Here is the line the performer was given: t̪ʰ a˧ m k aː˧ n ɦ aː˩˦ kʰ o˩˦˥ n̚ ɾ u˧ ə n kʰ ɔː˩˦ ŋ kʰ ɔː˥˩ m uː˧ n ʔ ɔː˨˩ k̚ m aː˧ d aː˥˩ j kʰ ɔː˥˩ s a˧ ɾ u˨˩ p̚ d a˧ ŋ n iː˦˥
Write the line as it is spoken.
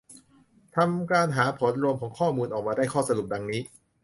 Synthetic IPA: t̪ʰ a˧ m k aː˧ n ɦ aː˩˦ pʰ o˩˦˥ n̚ ɾ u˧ ə m kʰ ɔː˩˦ ŋ kʰ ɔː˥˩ m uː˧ n ʔ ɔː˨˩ k̚ m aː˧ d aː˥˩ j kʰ ɔː˥˩ s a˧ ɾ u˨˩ p̚ d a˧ ŋ n iː˦˥